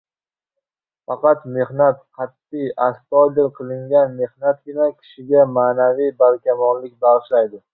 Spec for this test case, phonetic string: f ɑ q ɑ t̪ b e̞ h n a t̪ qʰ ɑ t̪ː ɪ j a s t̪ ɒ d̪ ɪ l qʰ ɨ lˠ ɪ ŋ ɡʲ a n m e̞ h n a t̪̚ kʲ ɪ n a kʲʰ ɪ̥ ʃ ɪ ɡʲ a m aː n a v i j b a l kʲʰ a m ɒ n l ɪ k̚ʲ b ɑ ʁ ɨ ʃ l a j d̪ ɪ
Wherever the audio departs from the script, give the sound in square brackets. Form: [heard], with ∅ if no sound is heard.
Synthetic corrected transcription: f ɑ q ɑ t̪ [m] e̞ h n a t̪ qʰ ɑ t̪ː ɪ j a s t̪ ɒ d̪ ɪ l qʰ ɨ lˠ ɪ ŋ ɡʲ a n m e̞ h n a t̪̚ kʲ ɪ n a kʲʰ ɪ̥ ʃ ɪ ɡʲ a m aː n a v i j b a l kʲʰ a m ɒ n l ɪ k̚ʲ b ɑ ʁ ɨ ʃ l a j d̪ ɪ